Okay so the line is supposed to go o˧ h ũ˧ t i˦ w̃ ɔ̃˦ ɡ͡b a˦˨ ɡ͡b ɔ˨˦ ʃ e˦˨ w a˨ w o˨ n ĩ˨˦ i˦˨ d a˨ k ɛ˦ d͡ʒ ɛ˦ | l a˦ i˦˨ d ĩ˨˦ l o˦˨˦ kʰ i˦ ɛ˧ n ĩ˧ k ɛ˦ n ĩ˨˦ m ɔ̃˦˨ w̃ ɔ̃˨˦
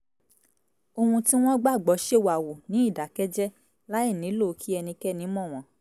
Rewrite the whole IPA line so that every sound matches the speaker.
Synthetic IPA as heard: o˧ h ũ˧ t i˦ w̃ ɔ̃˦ ɡ͡b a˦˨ ɡ͡b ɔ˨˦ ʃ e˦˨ w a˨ w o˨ n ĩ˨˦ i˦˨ d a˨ k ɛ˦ d͡ʒ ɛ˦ | l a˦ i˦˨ n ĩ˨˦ l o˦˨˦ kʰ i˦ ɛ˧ n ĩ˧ k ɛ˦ n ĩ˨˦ m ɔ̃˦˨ w̃ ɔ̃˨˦